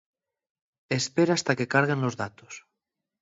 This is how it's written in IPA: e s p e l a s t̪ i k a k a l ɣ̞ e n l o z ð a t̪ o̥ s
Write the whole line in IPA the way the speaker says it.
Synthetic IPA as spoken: e s p e ɾ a s t̪ a k e k a ɾ ɣ̞ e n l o z ð a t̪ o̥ s